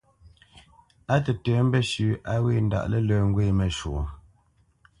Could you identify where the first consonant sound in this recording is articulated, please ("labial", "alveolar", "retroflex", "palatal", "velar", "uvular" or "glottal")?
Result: alveolar